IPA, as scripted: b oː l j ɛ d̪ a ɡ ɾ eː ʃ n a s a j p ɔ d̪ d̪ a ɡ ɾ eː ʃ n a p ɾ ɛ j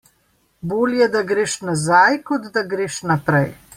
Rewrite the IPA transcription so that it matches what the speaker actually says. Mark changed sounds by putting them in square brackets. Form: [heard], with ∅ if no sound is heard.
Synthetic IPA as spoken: b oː l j ɛ d̪ a ɡ ɾ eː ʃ n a [z] a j [k] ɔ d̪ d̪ a ɡ ɾ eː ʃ n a p ɾ ɛ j